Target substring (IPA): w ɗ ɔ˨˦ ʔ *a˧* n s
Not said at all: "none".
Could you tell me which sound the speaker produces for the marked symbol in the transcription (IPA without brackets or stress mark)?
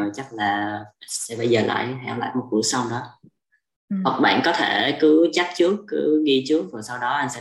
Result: a˧